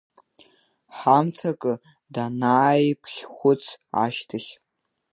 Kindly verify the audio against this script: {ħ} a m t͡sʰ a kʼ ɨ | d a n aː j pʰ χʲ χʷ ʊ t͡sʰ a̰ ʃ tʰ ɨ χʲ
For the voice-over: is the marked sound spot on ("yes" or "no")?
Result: yes